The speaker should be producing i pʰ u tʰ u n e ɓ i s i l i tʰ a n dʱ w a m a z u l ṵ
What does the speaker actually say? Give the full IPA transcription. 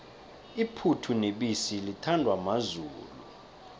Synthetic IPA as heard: i pʰ u tʰ u n e ɓ i s i l i tʰ a n dʱ w a m a z uː l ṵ